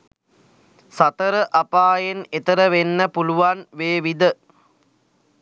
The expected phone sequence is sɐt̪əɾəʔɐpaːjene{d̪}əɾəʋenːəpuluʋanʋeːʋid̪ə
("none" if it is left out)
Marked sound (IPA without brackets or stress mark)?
t̪